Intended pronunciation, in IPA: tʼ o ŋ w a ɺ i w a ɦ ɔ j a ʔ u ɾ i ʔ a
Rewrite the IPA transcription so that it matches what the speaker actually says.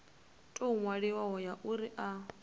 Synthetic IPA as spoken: tʼ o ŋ w a ɺ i w a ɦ ɔ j a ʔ u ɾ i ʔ a